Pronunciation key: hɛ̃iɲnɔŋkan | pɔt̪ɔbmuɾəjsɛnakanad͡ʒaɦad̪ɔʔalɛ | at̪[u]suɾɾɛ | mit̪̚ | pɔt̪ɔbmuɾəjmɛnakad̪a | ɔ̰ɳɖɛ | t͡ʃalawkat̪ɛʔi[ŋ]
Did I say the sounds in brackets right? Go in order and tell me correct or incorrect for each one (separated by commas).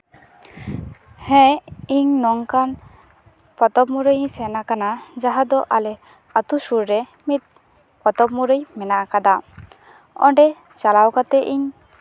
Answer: correct, incorrect